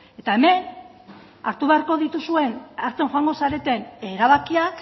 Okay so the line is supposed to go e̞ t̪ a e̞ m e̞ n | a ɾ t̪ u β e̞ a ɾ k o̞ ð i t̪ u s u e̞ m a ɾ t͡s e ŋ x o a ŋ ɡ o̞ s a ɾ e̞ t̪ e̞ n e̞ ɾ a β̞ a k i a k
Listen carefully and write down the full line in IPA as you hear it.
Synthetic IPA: e̞ t̪ a e̞ m e̞ n | a ɾ t̪ u β e̞ a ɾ k o̞ ð i t̪ u s u e̞ n a ɾ t͡s e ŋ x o a ŋ ɡ o̞ s a ɾ e̞ t̪ e̞ n e̞ ɾ a β̞ a k i a k